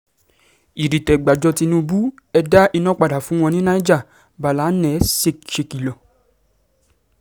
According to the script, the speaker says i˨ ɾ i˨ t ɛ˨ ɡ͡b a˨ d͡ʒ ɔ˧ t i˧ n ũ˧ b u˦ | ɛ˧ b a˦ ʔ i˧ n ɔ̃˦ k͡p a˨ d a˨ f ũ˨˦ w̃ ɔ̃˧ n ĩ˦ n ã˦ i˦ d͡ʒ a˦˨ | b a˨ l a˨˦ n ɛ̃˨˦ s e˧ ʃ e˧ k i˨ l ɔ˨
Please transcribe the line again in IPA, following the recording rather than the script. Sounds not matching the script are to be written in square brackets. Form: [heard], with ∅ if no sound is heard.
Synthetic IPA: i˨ ɾ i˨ t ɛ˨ ɡ͡b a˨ d͡ʒ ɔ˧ t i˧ n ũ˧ b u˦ | ɛ˧ [d] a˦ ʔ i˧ n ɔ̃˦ k͡p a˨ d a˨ f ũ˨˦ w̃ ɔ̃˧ n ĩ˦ n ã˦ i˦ d͡ʒ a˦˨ | b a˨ l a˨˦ n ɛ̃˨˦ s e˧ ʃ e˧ k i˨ l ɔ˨